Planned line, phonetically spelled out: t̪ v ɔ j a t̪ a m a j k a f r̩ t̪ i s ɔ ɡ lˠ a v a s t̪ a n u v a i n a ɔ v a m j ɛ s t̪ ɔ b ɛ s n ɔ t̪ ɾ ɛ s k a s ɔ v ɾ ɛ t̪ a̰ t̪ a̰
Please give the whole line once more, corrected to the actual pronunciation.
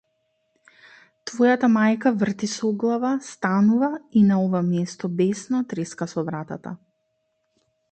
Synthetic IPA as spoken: t̪ v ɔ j a t̪ a m a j k a v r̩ t̪ i s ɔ ɡ lˠ a v a s t̪ a n u v a i n a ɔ v a m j ɛ s t̪ ɔ b ɛ s n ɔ t̪ ɾ ɛ s k a s ɔ v ɾ a t̪ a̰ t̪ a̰